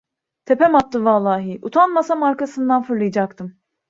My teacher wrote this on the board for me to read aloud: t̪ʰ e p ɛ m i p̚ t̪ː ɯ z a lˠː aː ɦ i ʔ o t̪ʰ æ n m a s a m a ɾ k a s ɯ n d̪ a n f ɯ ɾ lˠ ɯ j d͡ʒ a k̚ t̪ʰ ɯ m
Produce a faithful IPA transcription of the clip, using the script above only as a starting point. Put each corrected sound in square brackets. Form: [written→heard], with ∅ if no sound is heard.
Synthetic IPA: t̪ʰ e p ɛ m [i→a] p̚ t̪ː ɯ [z→v] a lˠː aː ɦ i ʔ [o→u] t̪ʰ [æ→a] n m a s a m a ɾ k a s ɯ n d̪ a n f ɯ ɾ lˠ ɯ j d͡ʒ a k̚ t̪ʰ ɯ m